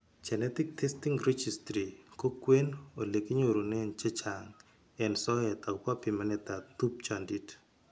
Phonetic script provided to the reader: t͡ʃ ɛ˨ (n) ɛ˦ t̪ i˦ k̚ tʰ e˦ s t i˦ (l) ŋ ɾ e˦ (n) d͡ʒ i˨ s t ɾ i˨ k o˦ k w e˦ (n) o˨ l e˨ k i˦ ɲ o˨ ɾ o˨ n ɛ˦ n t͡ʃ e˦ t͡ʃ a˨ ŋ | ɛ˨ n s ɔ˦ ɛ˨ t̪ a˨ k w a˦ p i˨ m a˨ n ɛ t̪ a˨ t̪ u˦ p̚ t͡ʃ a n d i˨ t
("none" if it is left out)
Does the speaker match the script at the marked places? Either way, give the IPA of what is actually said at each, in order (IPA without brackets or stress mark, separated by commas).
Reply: n, none, none, n